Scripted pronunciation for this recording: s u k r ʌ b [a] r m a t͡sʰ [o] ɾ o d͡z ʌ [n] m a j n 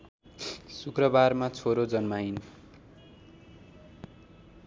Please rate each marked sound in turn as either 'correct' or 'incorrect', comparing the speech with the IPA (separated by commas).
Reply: correct, correct, correct